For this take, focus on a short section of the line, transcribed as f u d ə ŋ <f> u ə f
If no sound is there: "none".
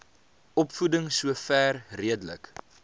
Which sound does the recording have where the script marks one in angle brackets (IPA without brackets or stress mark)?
s